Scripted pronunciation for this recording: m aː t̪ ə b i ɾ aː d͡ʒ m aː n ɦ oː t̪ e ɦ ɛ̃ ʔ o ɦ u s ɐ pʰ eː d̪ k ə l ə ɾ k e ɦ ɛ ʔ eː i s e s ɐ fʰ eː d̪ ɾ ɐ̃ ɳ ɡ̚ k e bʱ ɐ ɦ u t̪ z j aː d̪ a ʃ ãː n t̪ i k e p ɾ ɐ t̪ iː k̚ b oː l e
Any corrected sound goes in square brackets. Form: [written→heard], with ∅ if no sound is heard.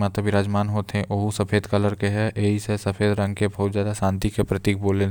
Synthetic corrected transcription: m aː t̪ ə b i ɾ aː d͡ʒ m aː n ɦ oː t̪ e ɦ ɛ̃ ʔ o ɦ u s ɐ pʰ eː d̪ k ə l ə ɾ k e ɦ ɛ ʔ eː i s e s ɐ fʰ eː d̪ ɾ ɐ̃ [ɳ→ŋ] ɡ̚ k e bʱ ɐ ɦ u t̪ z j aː d̪ a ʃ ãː n t̪ i k e p ɾ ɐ t̪ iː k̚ b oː l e